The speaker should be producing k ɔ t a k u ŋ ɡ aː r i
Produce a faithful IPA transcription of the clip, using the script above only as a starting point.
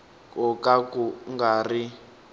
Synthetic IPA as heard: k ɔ k a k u ŋ ɡ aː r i